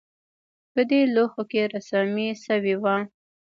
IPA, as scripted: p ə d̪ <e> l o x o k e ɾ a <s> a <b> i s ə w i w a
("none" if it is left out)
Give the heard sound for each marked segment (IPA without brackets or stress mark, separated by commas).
e, s, m